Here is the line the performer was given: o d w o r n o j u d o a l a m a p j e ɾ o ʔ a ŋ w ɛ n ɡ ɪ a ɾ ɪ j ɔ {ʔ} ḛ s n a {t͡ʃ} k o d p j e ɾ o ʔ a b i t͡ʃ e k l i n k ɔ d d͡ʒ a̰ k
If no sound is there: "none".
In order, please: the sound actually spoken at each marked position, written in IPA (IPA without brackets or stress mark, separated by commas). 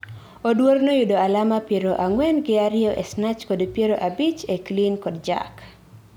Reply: ʔ, t͡ʃ